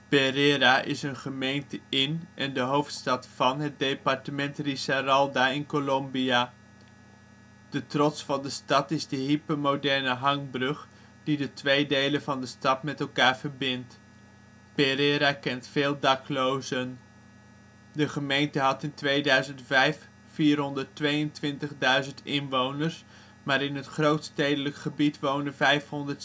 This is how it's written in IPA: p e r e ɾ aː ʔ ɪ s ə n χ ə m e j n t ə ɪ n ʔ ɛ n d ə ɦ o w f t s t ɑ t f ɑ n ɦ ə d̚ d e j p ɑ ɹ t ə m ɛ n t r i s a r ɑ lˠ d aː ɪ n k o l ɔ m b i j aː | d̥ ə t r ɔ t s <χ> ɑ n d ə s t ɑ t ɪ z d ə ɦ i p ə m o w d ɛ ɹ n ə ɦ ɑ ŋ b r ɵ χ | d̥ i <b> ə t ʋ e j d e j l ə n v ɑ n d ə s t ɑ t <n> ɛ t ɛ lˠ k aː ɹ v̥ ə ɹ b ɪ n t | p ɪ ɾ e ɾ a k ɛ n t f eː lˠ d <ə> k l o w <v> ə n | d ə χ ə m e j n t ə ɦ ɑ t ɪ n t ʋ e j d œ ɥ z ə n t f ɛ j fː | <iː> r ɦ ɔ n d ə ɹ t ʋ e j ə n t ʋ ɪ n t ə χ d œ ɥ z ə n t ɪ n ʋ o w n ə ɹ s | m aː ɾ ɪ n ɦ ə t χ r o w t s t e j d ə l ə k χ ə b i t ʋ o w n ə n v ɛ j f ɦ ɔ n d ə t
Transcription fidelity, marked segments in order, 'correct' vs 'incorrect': incorrect, incorrect, incorrect, incorrect, incorrect, correct

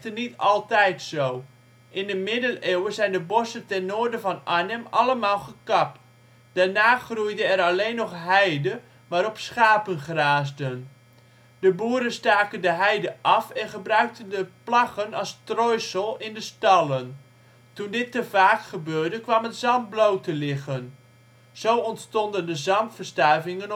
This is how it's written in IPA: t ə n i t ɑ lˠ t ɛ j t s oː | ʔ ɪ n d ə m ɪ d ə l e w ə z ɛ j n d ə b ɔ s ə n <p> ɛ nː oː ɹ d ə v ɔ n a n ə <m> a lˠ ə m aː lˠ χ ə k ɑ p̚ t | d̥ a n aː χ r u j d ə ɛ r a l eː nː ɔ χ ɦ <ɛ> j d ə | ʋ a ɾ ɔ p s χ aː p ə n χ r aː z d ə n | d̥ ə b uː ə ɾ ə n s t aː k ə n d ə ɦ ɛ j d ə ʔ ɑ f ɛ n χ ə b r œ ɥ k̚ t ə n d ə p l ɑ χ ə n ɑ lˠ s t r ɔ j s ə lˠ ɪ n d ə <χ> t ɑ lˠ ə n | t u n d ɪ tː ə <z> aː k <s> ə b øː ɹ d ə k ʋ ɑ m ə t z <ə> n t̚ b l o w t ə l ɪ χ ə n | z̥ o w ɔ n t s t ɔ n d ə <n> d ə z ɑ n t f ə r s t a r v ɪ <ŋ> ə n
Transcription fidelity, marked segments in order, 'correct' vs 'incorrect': incorrect, correct, correct, incorrect, incorrect, incorrect, incorrect, correct, correct

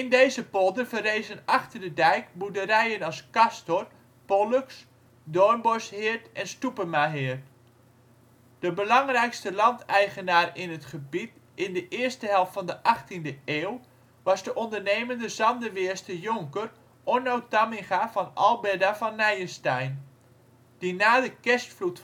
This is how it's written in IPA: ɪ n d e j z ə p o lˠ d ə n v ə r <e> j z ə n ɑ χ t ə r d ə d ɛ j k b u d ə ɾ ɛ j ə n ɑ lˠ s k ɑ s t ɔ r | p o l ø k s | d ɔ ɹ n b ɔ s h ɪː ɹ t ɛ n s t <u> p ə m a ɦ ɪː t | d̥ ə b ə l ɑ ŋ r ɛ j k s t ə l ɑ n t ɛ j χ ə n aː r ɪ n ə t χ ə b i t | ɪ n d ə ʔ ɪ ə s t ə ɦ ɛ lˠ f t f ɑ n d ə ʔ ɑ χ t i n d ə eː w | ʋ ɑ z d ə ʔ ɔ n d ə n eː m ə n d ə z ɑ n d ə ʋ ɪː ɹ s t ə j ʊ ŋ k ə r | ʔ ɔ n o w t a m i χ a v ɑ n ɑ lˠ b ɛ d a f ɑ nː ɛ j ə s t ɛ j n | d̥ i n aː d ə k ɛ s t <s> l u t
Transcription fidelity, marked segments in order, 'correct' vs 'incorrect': correct, correct, incorrect

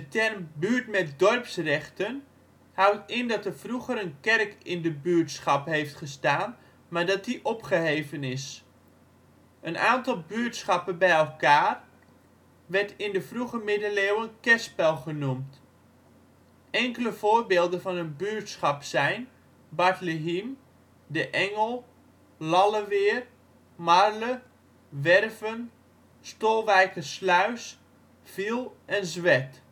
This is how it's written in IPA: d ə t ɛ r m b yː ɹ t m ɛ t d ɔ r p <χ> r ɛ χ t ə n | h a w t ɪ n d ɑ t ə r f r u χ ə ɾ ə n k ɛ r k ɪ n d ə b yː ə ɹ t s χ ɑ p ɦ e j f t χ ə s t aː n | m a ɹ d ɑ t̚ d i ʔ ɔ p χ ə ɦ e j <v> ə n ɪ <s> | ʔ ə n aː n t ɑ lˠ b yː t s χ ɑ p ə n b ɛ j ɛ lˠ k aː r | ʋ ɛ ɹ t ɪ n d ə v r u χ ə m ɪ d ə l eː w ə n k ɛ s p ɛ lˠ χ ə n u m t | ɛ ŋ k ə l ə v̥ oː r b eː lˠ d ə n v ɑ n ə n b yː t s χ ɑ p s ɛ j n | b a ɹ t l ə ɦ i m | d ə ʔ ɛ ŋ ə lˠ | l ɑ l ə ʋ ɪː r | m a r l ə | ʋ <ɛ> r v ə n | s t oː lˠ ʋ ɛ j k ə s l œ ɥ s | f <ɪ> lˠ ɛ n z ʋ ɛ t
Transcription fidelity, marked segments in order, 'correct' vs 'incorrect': incorrect, correct, correct, correct, incorrect

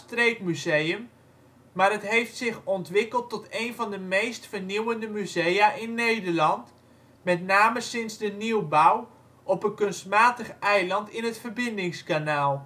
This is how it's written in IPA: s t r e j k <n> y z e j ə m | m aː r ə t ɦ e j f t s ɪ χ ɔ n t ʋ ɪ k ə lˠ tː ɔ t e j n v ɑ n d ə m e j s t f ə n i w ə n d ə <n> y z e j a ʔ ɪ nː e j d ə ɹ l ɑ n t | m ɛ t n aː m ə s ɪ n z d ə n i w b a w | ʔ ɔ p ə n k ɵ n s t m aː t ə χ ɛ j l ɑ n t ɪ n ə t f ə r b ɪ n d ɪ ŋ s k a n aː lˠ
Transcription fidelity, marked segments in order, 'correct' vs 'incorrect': incorrect, incorrect

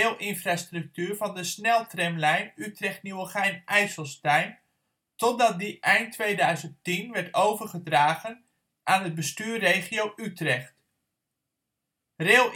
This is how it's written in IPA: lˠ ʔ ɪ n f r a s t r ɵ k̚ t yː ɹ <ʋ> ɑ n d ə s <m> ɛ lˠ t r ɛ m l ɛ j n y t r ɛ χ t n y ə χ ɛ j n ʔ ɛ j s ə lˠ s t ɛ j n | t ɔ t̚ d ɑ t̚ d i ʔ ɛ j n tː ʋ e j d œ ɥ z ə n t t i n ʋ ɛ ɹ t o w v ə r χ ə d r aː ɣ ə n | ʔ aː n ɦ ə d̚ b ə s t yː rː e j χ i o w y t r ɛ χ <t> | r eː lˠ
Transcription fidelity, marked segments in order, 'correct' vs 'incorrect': incorrect, incorrect, correct

